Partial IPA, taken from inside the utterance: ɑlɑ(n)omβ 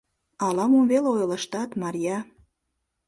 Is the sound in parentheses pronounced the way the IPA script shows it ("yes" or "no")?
no